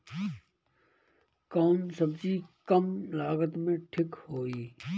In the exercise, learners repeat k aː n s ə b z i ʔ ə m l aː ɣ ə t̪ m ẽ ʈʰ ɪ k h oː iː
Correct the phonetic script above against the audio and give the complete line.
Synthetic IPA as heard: k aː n s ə b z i k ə m l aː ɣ ə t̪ m ẽ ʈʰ ɪ k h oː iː

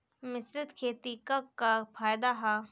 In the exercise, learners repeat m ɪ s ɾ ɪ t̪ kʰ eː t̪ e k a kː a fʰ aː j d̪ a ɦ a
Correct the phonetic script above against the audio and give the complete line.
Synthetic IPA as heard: m ɪ s ɾ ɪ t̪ kʰ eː t̪ i k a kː a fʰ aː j d̪ a ɦ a

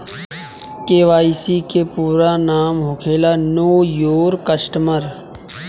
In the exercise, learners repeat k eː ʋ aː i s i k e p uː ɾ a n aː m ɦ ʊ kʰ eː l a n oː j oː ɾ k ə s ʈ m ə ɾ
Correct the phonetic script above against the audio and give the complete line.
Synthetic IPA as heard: k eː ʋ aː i s i k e p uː ɾ a n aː m ɦ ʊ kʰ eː l a n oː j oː ɾ k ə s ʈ m ə ɾ

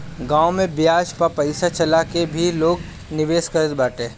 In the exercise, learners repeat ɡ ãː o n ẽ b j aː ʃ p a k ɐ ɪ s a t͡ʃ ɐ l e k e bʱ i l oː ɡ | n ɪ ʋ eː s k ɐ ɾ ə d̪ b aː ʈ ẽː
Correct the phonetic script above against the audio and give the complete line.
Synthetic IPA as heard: ɡ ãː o m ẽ b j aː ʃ p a p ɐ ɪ s a t͡ʃ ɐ l a k e bʱ i l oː ɡ | n ɪ ʋ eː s k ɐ ɾ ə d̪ b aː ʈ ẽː

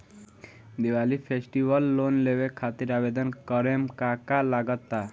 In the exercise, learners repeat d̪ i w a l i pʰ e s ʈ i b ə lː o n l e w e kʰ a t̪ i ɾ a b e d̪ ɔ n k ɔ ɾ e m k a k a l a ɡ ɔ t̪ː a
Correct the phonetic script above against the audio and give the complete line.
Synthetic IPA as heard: d̪ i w a l i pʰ e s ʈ i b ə lː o n l e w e kʰ a t̪ i ɾ a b e d̪ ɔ n k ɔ ɾ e m k a k a l a ɡ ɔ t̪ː a

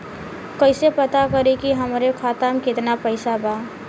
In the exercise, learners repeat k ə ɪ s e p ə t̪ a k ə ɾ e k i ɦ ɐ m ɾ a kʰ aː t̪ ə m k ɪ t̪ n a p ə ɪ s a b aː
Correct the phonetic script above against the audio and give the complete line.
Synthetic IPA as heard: k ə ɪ s e p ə t̪ a k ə ɾ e k i ɦ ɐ m ɾ e kʰ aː t̪ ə m k ɪ t̪ n a p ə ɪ s a b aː

